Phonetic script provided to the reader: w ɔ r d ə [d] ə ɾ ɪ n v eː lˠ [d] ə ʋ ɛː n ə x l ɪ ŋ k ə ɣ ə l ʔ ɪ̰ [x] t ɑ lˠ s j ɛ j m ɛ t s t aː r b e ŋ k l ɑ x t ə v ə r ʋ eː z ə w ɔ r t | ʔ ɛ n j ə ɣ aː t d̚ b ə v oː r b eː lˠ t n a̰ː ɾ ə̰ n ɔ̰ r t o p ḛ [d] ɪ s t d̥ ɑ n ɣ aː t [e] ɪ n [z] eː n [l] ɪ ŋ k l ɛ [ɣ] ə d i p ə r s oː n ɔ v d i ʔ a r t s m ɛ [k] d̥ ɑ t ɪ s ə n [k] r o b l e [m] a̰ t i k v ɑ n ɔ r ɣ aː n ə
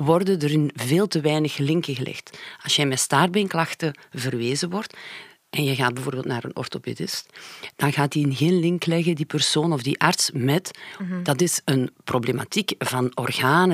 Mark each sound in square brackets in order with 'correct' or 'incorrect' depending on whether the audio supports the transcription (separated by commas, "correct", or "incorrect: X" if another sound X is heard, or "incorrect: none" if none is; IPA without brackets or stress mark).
correct, incorrect: t, correct, correct, incorrect: i, incorrect: ɣ, correct, correct, incorrect: t, incorrect: p, correct